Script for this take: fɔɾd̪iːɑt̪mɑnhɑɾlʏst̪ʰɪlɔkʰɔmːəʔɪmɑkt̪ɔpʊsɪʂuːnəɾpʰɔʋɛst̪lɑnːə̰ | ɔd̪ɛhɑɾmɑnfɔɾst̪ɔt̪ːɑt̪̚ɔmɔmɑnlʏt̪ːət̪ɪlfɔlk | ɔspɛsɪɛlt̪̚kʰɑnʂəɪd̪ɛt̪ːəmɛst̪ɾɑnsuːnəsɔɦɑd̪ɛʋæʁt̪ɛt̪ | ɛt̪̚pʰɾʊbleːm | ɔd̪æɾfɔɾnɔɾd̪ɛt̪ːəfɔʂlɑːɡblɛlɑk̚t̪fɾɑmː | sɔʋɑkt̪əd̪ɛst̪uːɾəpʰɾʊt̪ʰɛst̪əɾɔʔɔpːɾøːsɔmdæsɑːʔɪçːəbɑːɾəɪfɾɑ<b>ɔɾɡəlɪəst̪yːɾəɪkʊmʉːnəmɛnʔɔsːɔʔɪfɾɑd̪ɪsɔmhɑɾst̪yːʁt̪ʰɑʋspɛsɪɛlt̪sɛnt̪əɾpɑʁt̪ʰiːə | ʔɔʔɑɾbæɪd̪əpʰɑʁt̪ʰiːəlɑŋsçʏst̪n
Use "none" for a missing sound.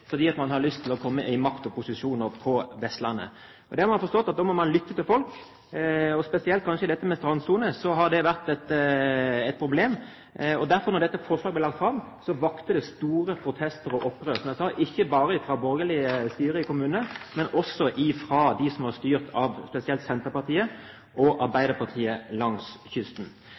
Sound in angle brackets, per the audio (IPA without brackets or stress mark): b